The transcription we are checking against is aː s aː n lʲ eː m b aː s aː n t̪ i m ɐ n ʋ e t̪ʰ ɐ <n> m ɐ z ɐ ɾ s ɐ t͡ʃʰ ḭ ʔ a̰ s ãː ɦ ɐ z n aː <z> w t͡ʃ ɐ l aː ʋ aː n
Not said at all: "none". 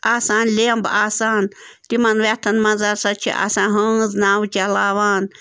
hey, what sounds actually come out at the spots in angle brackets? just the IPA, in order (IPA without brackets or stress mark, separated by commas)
n, none